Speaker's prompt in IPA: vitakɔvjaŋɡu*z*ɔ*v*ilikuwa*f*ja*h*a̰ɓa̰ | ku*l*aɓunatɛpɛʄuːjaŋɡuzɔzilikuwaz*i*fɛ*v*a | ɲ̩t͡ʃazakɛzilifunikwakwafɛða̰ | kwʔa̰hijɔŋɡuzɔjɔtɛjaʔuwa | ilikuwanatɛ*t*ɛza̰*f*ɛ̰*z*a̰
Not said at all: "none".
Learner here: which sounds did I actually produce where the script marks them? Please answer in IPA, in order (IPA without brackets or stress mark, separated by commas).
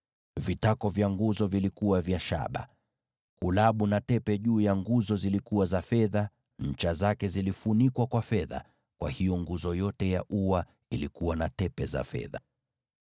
z, v, v, ʃ, l, a, ð, p, f, ð